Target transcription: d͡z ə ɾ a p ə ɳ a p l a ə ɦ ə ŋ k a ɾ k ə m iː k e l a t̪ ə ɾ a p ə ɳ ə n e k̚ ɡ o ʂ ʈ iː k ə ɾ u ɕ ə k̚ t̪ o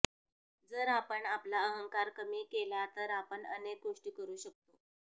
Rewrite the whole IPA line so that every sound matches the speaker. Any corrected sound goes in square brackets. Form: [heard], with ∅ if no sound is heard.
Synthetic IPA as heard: d͡z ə ɾ a p ə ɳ a p l a ə ɦ ə ŋ k a ɾ k ə m iː k e l a t̪ ə ɾ a p ə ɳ ə n e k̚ ɡ o ʂ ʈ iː k ə ɾ [uː] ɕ ə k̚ t̪ o